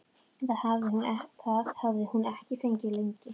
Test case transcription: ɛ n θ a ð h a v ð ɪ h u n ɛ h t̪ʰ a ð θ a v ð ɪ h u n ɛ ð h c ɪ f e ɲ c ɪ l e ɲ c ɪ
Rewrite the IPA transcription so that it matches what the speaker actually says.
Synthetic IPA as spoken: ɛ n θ a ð h a v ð ɪ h u n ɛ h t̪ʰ a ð h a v ð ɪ h u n ɛ h c ɪ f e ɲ c ɪ l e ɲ c ɪ